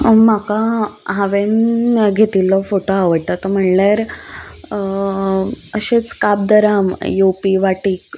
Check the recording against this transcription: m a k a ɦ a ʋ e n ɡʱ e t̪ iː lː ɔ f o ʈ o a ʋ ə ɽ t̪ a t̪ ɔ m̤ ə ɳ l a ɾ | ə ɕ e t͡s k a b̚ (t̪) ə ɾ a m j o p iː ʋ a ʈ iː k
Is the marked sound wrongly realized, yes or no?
yes